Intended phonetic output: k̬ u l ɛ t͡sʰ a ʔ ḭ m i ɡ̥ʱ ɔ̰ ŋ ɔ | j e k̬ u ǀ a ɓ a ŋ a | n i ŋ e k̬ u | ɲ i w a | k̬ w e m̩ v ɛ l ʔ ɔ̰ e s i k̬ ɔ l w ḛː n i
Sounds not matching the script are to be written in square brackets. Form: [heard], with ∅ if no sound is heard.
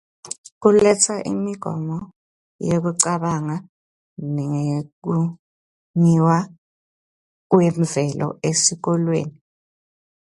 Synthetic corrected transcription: k̬ u l ɛ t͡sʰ a ʔ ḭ m i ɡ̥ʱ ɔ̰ [m] ɔ | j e k̬ u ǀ a ɓ a ŋ a | n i ŋ e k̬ u | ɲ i w a | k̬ w e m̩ v ɛ l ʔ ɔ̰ e s i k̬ ɔ l w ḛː n i